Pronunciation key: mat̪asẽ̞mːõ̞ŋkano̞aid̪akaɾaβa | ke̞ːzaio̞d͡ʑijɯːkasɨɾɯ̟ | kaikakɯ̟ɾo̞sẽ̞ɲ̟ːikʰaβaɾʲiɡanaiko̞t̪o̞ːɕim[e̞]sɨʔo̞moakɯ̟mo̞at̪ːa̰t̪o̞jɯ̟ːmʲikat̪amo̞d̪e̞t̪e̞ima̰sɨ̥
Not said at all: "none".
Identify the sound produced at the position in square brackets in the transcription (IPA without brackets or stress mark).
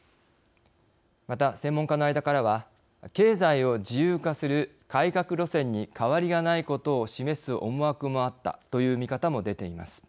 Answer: e̞